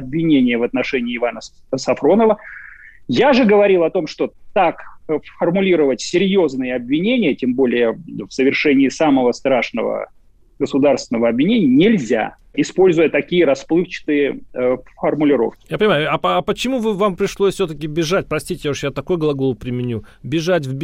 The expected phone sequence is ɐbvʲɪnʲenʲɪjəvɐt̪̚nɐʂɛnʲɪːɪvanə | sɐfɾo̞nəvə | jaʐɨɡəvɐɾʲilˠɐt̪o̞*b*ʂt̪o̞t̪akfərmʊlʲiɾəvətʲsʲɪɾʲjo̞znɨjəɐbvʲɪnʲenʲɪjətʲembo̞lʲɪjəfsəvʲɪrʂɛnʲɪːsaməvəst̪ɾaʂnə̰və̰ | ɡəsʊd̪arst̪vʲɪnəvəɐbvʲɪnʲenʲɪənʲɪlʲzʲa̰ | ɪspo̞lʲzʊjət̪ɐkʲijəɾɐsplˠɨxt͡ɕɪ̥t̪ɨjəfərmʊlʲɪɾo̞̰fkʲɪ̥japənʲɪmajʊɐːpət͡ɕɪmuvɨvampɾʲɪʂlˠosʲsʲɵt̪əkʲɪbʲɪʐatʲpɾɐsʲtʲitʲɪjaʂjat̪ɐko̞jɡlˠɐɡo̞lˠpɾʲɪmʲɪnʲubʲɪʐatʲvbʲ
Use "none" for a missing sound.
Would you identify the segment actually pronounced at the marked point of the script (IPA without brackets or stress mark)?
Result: m